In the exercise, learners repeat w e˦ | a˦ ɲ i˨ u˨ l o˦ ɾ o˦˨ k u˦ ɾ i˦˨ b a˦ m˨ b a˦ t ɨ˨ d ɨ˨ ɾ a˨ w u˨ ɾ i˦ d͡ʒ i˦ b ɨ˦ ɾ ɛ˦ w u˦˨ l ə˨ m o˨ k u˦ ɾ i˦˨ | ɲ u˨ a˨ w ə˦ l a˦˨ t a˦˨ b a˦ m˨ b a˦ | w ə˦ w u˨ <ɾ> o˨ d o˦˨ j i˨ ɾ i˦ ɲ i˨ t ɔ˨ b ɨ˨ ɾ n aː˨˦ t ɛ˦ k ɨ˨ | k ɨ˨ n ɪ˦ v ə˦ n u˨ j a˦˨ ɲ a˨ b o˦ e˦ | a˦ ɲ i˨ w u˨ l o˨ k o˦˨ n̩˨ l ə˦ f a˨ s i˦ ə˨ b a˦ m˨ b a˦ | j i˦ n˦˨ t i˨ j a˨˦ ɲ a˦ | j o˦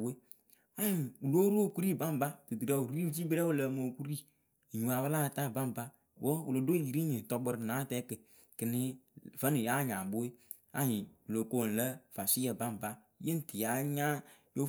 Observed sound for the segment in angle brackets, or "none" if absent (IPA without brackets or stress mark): l